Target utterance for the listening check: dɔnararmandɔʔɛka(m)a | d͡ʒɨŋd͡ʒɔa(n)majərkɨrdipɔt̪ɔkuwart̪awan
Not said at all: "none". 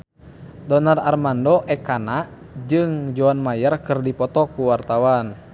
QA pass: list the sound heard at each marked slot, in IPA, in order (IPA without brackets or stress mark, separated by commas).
n, n